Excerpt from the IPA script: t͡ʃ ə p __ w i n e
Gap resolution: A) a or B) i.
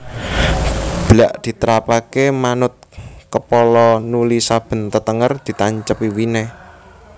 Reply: B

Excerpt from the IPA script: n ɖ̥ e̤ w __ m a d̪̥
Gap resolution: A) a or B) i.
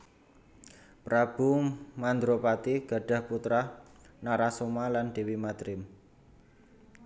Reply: B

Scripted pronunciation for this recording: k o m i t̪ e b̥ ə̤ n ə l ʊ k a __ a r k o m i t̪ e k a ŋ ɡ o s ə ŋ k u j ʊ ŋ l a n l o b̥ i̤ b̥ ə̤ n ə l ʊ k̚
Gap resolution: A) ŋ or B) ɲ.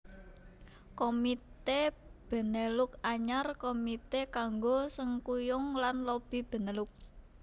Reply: B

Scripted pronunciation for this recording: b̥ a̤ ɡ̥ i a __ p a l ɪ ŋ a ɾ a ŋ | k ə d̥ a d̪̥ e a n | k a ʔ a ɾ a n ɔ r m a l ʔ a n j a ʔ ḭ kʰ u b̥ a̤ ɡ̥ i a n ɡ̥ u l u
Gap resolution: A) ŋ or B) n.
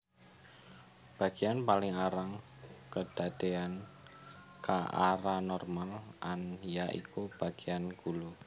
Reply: B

